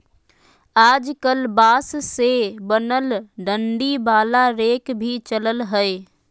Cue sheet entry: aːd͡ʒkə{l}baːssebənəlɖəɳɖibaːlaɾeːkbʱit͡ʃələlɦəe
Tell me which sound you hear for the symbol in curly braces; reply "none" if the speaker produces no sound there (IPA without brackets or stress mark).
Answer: l